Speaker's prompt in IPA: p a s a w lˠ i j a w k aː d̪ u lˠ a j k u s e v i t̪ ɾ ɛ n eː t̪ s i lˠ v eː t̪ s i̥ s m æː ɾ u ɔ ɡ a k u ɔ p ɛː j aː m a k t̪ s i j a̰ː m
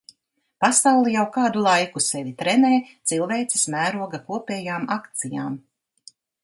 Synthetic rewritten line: p a s a w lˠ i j a w k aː d̪ u lˠ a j k u s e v i t̪ ɾ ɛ n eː t̪ s i lˠ v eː t̪ s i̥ s m æː ɾ u ɔ ɡ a k u ɔ p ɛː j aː m a k t̪ s i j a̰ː m